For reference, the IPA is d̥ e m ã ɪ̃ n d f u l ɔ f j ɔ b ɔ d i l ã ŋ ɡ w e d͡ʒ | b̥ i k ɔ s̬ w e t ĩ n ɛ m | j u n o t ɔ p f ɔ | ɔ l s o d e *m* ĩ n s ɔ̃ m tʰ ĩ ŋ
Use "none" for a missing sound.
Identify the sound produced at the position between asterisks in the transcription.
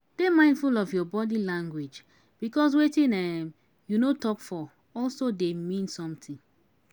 m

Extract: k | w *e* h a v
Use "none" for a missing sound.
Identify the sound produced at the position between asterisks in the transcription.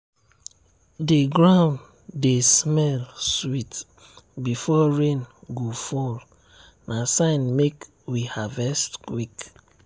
i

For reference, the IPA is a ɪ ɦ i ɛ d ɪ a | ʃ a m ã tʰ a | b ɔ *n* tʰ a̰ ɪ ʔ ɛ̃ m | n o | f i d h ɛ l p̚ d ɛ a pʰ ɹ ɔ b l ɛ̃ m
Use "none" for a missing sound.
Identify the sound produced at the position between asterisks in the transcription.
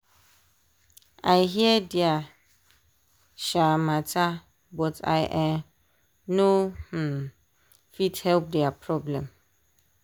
none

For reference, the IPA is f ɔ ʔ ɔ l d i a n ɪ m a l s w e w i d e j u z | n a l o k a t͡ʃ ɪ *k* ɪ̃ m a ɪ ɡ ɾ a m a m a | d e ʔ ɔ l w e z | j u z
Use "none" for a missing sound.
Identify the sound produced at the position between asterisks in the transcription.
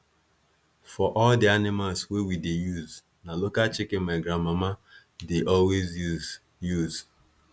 k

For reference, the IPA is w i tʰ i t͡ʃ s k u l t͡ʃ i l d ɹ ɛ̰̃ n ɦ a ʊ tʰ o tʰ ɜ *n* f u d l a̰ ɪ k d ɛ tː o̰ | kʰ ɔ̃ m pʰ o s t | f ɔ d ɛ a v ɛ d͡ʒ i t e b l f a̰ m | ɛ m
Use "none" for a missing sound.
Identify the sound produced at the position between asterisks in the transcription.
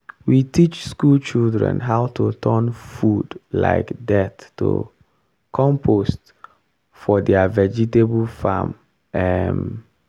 n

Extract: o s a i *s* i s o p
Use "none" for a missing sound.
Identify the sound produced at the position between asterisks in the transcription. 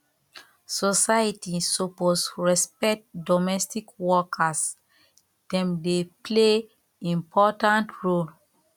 t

